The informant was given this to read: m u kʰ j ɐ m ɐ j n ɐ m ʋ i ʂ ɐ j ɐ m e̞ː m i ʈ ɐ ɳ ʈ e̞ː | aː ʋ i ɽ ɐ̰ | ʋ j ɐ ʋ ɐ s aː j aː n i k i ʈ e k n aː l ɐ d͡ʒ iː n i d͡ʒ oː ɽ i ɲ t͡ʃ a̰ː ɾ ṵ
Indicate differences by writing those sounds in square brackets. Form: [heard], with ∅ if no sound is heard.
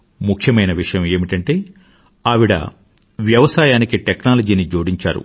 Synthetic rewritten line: m u kʰ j ɐ m ɐ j n ɐ [∅] ʋ i ʂ ɐ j ɐ m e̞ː m i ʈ ɐ ɳ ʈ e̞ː | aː ʋ i ɽ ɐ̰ | ʋ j ɐ ʋ ɐ s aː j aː n i k i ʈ e k n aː l ɐ d͡ʒ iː n i d͡ʒ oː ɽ i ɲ t͡ʃ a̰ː ɾ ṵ